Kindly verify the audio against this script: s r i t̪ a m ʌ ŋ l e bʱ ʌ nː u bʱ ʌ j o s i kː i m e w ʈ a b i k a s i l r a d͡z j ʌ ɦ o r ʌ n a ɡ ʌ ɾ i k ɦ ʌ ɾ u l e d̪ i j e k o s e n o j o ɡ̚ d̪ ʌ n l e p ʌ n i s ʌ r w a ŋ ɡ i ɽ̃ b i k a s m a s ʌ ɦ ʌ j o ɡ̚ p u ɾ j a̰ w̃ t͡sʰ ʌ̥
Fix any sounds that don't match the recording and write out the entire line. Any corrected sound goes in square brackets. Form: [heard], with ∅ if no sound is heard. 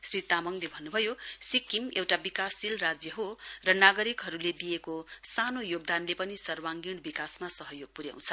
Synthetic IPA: s r i t̪ a m ʌ ŋ l e bʱ ʌ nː u bʱ ʌ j o s i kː i m e w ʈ a b i k a s i l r a d͡z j ʌ ɦ o r ʌ n a ɡ ʌ ɾ i k ɦ ʌ ɾ u l e d̪ i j e k o s [a] n o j o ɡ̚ d̪ [a] n l e p ʌ n i s ʌ r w a ŋ ɡ i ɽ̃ b i k a s m a s ʌ ɦ ʌ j o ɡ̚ p u ɾ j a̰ w̃ t͡sʰ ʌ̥